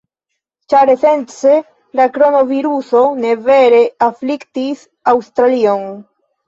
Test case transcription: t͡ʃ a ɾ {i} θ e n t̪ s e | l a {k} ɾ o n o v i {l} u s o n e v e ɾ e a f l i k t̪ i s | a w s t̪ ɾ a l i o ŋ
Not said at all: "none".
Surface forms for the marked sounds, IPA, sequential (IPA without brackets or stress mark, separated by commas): e, k, ɾ